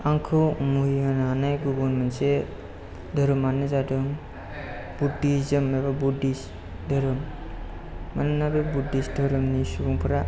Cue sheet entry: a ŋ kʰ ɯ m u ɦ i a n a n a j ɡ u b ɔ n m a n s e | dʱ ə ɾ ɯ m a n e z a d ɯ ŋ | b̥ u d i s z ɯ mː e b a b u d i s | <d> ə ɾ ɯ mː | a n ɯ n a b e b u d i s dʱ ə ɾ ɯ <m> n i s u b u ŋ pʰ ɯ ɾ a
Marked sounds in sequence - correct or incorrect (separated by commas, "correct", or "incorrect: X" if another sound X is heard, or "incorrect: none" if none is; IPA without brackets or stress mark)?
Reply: correct, correct